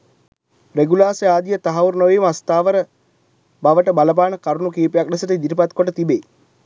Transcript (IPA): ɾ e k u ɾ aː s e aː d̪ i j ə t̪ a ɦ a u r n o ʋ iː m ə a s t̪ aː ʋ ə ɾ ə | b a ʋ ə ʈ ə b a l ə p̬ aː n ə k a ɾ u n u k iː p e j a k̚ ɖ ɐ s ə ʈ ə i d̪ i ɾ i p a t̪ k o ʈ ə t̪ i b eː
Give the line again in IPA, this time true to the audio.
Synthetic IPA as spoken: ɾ e ɡ u l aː s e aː d̪ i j ə t̪ a ɦ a u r n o ʋ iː m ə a s t̪ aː ʋ ə ɾ ə | b a ʋ ə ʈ ə b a l ə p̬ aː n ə k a ɾ u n u k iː p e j a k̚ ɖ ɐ s ə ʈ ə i d̪ i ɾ i p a t̪ k o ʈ ə t̪ i b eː